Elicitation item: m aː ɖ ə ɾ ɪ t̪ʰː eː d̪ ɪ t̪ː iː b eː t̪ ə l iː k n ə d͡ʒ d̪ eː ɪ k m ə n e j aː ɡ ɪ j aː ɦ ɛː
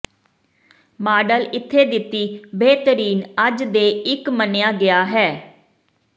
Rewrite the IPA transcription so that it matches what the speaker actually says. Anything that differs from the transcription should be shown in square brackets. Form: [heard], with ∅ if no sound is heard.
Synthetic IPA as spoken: m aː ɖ ə [l] ɪ t̪ʰː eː d̪ ɪ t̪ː iː b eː t̪ ə [ɾ] iː [∅] n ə d͡ʒ d̪ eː ɪ k m ə n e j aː ɡ ɪ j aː ɦ ɛː